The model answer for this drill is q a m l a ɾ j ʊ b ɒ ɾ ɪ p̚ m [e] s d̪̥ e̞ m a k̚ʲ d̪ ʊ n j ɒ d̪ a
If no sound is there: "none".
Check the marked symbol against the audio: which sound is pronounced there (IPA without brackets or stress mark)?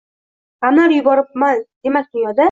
a